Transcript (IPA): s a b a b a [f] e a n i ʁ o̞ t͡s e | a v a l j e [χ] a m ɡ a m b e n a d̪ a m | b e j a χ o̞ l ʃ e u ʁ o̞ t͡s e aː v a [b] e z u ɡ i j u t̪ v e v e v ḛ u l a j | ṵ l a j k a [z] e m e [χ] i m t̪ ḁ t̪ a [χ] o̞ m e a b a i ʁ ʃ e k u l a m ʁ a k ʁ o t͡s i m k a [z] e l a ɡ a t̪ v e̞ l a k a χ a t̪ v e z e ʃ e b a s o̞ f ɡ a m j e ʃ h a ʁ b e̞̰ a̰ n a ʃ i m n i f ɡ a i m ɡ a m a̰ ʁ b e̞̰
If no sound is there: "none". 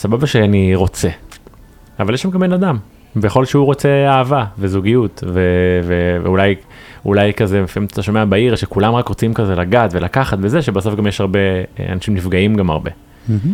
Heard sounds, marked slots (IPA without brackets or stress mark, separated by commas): ʃ, ʃ, v, z, f, ʃ, z